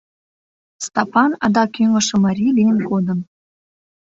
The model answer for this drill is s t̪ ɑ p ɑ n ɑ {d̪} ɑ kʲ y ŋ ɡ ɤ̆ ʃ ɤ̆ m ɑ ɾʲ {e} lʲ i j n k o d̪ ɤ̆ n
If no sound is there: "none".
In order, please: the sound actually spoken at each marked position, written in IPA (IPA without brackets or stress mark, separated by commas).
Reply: d̪, i